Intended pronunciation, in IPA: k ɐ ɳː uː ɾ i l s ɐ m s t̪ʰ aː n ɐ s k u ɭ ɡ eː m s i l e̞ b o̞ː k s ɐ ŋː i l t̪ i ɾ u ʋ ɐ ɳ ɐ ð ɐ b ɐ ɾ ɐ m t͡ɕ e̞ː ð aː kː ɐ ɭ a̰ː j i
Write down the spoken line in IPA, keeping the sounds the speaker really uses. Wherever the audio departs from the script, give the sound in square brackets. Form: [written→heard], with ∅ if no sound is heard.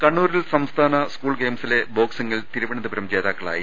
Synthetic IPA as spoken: k ɐ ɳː uː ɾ i l s ɐ m s t̪ʰ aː n ɐ s k [u→uː] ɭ ɡ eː m s i l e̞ b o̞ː k s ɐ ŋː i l t̪ i ɾ u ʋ ɐ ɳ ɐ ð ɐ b ɐ ɾ ɐ m t͡ɕ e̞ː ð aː kː ɐ ɭ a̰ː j i